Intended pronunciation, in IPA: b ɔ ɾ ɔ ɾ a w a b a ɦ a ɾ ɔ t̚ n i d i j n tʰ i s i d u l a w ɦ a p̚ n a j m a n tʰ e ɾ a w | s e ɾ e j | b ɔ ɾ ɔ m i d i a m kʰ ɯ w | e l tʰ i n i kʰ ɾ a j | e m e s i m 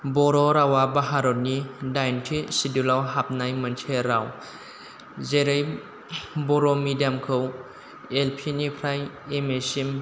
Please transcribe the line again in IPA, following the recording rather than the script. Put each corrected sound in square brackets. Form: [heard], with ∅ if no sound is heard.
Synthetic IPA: b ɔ ɾ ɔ ɾ a w a b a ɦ a ɾ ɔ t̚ n i d [a] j n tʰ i s i d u l a w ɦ a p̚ n a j m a n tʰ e ɾ a w | [z] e ɾ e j | b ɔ ɾ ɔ m i d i a m kʰ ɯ w | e l [pʰ] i n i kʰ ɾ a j | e m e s i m